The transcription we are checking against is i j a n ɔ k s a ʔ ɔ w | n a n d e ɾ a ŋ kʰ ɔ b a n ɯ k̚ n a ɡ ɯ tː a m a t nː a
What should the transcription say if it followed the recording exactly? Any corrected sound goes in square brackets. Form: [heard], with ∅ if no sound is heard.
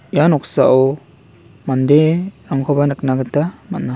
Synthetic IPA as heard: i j a n ɔ k s a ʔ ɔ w | [m] a n d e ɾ a ŋ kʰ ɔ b a n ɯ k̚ n a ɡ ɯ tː a m a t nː a